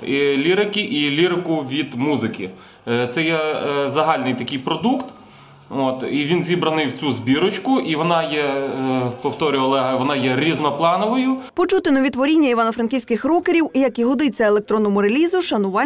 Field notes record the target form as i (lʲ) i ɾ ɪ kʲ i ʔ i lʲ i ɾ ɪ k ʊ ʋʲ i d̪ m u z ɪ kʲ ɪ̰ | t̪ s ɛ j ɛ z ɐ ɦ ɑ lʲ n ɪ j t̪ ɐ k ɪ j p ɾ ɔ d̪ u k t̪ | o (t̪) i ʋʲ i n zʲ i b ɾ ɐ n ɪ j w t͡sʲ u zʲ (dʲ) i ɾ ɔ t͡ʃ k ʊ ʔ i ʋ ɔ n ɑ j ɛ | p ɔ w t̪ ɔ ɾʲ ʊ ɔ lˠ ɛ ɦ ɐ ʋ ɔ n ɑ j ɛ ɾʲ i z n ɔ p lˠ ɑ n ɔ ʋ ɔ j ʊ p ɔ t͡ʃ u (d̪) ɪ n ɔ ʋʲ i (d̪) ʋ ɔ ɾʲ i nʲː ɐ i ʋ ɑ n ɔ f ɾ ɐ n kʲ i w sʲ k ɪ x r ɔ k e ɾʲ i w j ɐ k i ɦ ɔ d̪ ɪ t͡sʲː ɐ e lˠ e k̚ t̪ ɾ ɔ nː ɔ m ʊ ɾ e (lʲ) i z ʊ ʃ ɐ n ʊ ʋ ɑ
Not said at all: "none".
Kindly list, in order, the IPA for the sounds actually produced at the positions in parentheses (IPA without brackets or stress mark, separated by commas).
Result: lʲ, t̪, bʲ, t̪, t̪, lʲ